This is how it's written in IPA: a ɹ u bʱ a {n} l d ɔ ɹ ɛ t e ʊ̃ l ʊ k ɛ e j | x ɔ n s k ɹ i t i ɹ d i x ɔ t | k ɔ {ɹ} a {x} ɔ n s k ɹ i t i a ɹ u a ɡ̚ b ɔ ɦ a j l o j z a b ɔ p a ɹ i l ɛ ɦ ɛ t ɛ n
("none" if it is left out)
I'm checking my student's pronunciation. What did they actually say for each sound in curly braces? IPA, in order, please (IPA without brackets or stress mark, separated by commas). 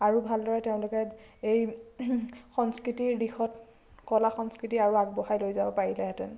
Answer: none, l, x